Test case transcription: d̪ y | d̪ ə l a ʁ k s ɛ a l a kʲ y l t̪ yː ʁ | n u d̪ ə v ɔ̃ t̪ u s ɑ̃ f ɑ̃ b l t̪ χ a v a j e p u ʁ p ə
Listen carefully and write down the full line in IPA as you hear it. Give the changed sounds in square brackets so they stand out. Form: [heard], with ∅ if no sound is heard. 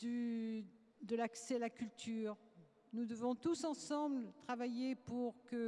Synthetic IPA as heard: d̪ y | d̪ ə l a [∅] k s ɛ a l a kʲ y l t̪ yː ʁ | n u d̪ ə v ɔ̃ t̪ u s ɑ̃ [s] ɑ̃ b l t̪ χ a v a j e p u ʁ [k] ə